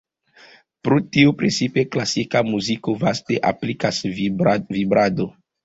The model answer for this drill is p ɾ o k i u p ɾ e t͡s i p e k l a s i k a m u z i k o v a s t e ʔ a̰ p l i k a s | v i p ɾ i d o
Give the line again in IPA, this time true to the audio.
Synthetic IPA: p ɾ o t i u p ɾ e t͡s i p e k l a s i k a m u z i k o v a s t e ʔ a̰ p l i k a s | v i b ɾ a d o